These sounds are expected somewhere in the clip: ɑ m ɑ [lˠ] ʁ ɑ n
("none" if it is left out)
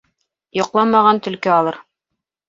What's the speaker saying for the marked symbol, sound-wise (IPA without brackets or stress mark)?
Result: none